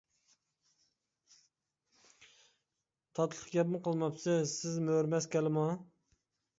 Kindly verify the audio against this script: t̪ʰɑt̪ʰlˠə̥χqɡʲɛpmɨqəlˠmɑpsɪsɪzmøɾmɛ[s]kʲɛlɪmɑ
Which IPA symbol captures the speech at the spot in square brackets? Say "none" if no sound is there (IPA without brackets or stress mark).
s